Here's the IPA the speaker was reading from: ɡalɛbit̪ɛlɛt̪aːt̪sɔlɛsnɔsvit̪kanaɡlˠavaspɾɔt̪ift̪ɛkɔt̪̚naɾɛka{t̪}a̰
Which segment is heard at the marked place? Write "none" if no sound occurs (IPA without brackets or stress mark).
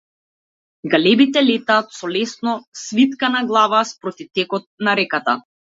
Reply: t̪